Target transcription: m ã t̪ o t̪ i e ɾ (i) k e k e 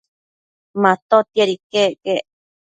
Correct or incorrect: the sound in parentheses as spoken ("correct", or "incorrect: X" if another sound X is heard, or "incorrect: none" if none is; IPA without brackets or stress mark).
correct